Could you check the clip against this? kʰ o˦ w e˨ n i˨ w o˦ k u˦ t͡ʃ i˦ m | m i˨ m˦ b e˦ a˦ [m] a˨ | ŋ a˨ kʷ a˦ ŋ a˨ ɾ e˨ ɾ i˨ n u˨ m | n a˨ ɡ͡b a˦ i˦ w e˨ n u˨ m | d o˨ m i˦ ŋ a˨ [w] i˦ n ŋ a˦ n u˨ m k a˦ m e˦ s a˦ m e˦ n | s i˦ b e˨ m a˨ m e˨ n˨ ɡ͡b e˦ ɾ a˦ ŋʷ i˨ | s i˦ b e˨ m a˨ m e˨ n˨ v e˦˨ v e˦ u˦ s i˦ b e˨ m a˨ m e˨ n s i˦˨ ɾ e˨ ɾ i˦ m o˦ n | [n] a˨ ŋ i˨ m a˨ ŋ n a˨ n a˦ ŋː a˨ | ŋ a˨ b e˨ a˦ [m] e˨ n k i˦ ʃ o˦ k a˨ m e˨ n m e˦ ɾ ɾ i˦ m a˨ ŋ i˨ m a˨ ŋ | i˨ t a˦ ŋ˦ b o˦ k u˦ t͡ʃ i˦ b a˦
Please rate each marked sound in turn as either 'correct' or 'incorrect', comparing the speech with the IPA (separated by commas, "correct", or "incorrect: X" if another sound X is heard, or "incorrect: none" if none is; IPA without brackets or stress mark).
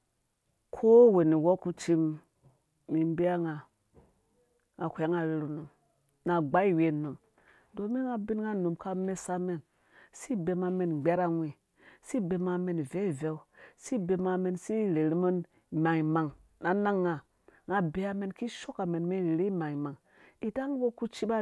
incorrect: ŋ, incorrect: b, incorrect: m, correct